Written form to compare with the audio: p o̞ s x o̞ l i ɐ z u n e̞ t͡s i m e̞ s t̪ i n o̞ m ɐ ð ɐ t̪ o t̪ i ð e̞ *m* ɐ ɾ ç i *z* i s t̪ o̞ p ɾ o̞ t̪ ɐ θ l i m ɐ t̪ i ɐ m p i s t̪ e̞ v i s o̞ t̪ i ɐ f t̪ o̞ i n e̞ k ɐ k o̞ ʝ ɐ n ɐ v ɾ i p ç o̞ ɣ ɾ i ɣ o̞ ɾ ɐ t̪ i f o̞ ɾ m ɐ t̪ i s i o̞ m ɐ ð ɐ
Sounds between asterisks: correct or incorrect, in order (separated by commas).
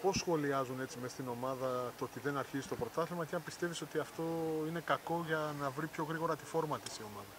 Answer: incorrect, correct